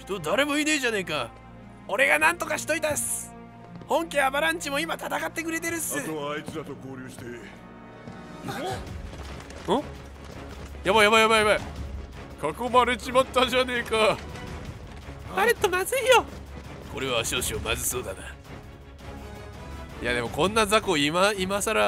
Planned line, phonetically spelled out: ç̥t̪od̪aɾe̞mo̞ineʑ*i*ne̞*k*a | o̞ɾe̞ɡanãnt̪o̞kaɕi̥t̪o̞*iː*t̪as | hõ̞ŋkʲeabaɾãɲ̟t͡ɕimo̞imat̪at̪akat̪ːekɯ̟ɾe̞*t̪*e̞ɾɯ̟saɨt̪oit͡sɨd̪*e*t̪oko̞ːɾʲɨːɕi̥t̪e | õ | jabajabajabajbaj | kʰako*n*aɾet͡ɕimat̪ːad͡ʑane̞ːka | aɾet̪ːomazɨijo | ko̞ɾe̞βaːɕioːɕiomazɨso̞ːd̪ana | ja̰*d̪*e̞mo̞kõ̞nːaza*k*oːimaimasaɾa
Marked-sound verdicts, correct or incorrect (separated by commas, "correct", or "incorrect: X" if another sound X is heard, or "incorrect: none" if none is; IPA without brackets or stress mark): incorrect: a, correct, incorrect: i, correct, incorrect: a, incorrect: m, correct, correct